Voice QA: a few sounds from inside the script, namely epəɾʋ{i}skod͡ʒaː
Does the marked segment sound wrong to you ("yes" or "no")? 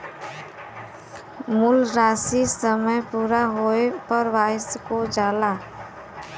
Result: yes